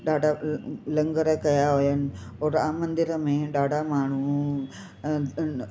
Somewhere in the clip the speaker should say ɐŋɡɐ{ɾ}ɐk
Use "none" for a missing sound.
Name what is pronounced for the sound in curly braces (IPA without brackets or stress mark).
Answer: ɾ